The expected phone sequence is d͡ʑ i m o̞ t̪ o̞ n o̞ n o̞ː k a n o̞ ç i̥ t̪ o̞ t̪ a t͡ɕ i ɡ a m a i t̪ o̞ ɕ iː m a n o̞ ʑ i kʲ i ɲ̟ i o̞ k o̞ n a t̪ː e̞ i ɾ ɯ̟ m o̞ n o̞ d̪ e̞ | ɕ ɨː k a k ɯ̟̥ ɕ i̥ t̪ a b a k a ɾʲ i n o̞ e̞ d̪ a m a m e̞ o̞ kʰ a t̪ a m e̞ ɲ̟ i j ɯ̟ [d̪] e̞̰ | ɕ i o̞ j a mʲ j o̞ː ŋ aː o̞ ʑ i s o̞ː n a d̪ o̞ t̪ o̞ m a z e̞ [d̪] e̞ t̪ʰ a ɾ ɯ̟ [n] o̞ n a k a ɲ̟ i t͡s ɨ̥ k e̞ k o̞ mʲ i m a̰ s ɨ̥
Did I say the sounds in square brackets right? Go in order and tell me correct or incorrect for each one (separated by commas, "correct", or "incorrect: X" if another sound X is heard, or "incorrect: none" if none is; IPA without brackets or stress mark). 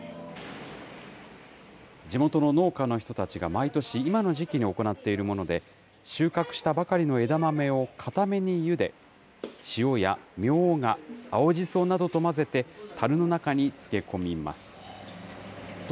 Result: correct, incorrect: t̪, correct